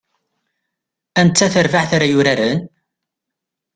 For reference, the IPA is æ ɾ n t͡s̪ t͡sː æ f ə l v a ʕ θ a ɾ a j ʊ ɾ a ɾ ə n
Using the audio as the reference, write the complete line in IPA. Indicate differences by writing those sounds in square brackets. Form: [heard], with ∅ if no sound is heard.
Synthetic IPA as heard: æ [∅] n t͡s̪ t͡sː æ [θ] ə [ɾ] v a ʕ θ a ɾ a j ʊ ɾ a ɾ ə n